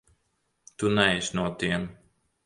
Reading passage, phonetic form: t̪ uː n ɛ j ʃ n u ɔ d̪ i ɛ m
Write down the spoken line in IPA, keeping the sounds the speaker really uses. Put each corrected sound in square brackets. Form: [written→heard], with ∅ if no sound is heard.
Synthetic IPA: t̪ [uː→u] n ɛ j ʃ n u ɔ [d̪→t̪] i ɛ m